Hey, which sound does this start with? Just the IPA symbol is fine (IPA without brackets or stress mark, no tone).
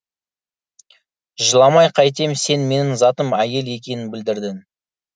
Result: ʒ